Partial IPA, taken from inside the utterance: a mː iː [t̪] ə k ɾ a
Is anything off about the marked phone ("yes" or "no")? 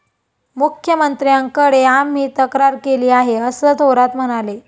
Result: no